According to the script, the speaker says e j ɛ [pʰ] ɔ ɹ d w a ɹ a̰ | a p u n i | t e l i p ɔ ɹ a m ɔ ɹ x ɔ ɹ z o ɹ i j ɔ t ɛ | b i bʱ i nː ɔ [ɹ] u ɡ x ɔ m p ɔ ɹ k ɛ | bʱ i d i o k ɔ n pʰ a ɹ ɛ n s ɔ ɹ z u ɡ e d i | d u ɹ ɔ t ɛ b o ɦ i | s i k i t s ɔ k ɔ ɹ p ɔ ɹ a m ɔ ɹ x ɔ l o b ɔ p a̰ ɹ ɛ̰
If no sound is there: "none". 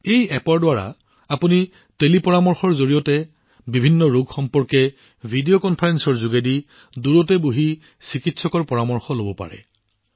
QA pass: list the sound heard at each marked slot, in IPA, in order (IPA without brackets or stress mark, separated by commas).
p, ɹ